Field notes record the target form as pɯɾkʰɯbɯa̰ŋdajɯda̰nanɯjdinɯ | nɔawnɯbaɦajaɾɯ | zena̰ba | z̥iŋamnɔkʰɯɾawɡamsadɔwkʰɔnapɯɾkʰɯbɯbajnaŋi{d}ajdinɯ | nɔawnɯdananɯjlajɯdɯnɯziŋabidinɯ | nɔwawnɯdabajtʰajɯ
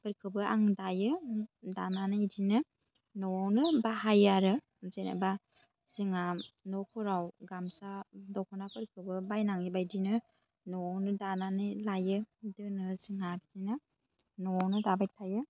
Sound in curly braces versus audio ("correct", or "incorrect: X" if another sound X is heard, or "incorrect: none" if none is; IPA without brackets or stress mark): incorrect: b